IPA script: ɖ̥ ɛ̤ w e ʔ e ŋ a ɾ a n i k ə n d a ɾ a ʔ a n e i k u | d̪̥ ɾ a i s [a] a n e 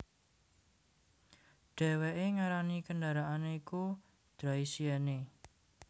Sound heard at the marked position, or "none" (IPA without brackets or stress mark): i